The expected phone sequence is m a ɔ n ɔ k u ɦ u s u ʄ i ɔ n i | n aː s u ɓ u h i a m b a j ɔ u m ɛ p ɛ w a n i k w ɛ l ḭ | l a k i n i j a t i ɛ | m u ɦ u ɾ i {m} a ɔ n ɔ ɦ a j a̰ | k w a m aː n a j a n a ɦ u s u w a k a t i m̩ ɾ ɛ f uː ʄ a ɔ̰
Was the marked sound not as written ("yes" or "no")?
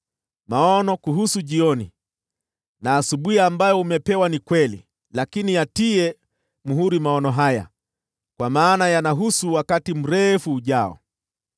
no